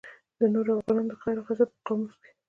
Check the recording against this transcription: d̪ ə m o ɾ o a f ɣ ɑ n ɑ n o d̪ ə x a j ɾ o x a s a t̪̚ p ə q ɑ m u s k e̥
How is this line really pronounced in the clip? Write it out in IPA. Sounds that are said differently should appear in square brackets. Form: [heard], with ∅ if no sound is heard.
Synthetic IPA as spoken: d̪ ə [n] o ɾ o a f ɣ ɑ n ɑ n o d̪ ə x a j ɾ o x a [z] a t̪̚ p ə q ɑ m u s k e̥